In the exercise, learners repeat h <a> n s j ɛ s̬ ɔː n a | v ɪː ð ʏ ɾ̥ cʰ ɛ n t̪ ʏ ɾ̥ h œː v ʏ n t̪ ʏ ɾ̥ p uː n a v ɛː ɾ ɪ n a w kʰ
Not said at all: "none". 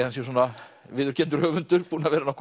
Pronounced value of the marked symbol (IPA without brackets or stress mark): a